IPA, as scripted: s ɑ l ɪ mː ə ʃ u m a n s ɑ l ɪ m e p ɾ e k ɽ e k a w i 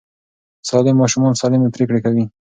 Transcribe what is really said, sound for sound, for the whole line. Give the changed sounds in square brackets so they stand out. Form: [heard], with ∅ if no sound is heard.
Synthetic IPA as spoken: s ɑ l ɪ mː [ɑ] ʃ u m [ɑ] n s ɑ l ɪ m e p ɾ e k ɽ e k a w i